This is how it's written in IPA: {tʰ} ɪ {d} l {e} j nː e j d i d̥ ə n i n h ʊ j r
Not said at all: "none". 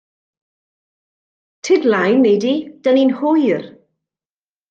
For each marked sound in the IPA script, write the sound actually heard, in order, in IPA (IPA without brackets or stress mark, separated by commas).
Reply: tʰ, d, a